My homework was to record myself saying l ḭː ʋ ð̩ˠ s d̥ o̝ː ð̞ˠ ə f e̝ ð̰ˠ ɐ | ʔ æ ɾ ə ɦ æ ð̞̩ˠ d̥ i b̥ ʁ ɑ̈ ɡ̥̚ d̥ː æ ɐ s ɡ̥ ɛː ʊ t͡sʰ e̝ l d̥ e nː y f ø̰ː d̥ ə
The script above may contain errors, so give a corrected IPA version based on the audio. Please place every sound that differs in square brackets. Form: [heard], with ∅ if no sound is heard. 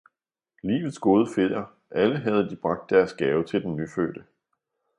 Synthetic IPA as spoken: l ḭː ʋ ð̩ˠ s [ɡ̥] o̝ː ð̞ˠ ə f e̝ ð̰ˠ ɐ | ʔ æ [l] ə ɦ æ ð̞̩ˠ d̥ i b̥ ʁ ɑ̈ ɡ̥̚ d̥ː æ ɐ s ɡ̥ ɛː ʊ t͡sʰ e̝ l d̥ e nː y f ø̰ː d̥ ə